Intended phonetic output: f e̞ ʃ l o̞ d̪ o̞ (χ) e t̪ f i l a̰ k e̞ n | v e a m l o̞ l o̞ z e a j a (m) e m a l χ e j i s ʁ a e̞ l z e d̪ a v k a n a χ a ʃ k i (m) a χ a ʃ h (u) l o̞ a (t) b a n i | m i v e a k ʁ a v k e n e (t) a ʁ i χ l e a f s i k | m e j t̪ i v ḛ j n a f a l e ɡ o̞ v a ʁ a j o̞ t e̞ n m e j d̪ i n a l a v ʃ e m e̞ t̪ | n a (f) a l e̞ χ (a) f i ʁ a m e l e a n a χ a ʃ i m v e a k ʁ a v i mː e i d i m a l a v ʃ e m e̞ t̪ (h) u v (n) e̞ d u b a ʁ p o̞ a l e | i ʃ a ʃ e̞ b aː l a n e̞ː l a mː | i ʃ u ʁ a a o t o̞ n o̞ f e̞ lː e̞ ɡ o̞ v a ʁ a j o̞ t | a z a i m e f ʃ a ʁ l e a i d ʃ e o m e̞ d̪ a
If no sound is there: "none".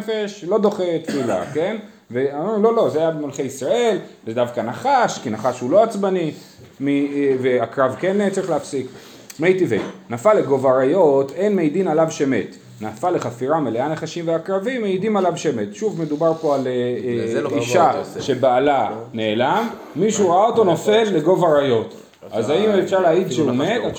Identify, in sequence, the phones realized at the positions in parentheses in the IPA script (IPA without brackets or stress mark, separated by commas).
χ, b, n, u, t͡s, t͡s, f, a, ʃ, m